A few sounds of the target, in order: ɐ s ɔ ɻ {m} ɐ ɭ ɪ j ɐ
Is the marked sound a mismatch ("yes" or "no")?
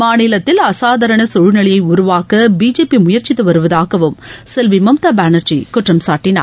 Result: yes